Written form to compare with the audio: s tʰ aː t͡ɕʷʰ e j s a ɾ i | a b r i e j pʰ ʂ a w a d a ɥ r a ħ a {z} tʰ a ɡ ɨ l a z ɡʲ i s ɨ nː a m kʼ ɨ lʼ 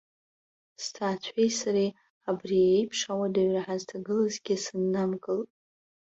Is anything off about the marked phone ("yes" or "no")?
no